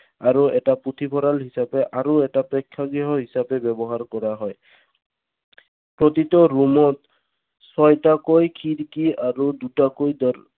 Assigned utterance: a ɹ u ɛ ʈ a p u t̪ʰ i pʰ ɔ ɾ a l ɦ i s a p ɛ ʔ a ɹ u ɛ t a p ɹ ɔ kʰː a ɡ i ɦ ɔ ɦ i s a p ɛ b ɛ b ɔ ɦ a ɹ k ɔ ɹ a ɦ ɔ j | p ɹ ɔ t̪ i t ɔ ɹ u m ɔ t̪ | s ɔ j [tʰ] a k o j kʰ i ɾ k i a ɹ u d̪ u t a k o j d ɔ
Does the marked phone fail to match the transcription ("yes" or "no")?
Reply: yes